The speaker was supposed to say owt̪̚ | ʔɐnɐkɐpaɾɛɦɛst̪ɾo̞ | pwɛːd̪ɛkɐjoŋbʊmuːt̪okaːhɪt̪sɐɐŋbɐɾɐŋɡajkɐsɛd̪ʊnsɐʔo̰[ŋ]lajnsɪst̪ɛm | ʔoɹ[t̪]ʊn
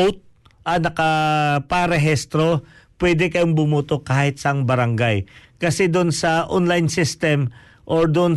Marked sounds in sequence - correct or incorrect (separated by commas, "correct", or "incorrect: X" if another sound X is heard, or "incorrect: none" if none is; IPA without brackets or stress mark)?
incorrect: n, incorrect: d̪